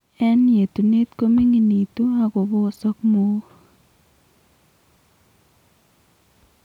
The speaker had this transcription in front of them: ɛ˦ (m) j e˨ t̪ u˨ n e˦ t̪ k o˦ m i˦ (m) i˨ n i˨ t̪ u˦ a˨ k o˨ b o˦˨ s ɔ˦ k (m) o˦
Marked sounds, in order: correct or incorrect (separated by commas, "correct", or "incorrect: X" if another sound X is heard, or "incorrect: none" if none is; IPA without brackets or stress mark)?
incorrect: n, incorrect: ŋ, correct